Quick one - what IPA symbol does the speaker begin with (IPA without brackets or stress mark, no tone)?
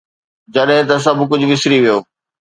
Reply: d͡ʑ